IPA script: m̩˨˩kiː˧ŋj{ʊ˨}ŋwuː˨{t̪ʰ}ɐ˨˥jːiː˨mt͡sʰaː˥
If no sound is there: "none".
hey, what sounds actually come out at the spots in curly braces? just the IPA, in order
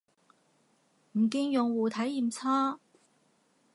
ʊ˨, t̪ʰ

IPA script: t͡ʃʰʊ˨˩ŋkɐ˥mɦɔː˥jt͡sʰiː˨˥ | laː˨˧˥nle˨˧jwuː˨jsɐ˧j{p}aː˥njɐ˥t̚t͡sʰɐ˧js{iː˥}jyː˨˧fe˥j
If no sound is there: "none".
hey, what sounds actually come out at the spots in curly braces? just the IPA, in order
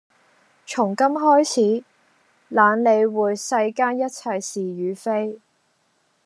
k, iː˨

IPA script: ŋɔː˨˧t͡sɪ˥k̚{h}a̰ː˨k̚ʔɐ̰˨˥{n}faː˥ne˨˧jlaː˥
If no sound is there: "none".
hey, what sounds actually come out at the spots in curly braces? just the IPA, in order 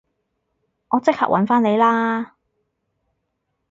h, n

